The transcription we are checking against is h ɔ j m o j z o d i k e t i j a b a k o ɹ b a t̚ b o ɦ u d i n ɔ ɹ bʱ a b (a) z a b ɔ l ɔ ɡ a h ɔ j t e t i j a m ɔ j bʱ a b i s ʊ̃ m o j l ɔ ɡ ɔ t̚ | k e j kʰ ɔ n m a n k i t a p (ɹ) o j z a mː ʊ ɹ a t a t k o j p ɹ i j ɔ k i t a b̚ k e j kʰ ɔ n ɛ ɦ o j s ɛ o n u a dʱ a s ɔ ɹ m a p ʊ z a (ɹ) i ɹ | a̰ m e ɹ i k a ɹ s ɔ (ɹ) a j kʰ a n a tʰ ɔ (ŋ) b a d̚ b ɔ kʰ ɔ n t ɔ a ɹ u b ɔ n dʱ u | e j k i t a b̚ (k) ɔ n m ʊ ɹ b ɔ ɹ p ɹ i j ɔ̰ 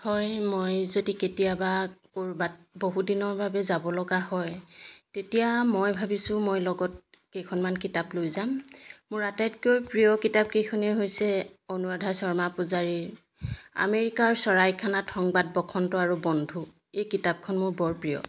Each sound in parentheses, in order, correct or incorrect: incorrect, incorrect, correct, correct, correct, incorrect

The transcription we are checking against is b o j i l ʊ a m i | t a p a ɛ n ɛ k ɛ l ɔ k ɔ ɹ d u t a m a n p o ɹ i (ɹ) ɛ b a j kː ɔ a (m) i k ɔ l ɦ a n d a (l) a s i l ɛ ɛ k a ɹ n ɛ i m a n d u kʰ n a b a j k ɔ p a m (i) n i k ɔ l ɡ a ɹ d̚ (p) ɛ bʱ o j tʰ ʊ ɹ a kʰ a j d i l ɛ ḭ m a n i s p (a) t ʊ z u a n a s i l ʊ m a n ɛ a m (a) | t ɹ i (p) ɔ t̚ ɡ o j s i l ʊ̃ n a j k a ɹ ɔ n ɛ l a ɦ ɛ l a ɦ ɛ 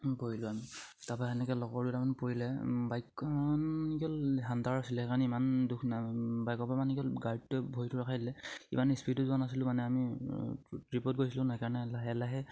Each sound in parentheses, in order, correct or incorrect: incorrect, incorrect, incorrect, incorrect, incorrect, incorrect, incorrect, correct

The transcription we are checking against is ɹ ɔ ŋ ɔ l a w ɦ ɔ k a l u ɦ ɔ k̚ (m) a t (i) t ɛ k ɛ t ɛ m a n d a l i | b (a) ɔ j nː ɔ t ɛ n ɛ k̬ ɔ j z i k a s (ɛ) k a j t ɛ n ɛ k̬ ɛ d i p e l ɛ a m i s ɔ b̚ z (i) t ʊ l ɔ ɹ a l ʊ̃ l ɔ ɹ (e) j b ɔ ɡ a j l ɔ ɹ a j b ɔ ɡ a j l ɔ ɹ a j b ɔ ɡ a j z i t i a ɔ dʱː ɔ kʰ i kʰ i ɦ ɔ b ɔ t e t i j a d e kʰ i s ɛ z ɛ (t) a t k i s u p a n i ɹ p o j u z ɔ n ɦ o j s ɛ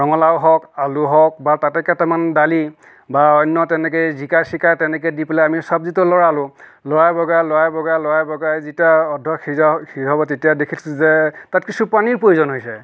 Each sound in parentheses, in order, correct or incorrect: incorrect, incorrect, correct, incorrect, correct, incorrect, correct

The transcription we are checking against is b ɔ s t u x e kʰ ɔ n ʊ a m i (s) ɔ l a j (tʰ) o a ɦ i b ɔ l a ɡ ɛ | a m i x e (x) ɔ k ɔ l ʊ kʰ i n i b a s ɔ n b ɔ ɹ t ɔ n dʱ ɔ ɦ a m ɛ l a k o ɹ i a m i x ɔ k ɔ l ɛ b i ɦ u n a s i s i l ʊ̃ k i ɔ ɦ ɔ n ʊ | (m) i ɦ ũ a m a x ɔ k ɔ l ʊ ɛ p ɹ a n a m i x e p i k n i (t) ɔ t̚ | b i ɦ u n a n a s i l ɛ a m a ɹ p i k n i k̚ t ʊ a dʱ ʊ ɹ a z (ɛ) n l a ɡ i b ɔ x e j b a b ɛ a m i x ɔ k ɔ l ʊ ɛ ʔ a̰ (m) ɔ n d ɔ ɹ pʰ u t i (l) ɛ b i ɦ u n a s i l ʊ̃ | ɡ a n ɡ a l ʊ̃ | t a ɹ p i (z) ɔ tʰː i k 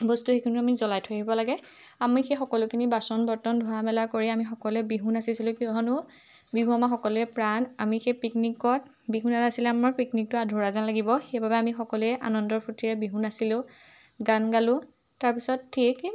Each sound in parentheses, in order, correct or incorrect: incorrect, correct, correct, incorrect, incorrect, incorrect, incorrect, incorrect, incorrect

